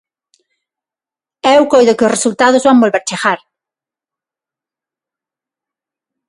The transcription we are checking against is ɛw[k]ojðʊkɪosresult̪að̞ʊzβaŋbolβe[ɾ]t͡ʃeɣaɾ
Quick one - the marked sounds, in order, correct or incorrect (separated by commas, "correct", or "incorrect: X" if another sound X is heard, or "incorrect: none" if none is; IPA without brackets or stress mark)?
correct, correct